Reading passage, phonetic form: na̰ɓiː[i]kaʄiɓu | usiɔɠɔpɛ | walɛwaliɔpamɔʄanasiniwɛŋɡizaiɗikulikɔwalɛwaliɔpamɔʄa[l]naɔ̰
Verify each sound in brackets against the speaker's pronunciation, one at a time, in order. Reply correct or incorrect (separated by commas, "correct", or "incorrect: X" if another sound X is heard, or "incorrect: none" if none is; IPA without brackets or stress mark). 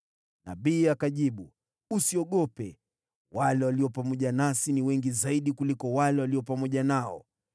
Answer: incorrect: a, incorrect: none